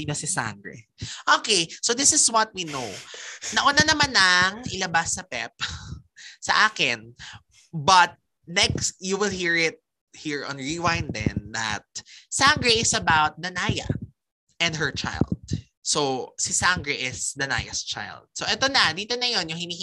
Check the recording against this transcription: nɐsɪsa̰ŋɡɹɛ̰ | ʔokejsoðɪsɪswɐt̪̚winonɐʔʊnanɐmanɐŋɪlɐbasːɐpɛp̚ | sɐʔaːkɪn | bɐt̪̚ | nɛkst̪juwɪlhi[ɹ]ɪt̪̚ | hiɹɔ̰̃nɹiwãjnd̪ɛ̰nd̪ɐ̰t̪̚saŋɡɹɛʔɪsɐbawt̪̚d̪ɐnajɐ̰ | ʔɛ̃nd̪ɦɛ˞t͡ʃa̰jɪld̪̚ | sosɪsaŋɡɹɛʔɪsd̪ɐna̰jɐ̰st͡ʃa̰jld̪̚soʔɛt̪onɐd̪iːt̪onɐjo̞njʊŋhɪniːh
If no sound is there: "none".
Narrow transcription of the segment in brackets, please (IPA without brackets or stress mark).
ɹ